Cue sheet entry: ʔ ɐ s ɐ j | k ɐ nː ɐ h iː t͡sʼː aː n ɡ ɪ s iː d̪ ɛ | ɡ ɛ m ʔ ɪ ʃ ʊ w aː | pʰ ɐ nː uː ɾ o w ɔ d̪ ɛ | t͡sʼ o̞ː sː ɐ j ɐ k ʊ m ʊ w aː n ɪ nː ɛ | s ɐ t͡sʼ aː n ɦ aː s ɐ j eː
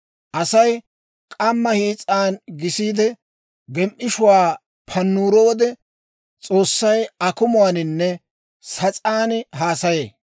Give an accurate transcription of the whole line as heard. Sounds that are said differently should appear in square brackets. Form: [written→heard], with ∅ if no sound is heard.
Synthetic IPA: ʔ ɐ s ɐ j | [k→kʼ] ɐ [nː→mː] ɐ h iː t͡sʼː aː n ɡ ɪ s iː d̪ ɛ | ɡ ɛ m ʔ ɪ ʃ ʊ w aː | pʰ ɐ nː uː ɾ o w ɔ d̪ ɛ | t͡sʼ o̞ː sː ɐ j ɐ k ʊ m ʊ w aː n ɪ nː ɛ | s ɐ t͡sʼ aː n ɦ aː s ɐ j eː